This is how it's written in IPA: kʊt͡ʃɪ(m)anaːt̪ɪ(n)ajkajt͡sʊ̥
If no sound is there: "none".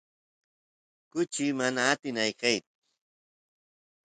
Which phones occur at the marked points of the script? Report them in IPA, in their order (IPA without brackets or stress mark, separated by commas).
m, n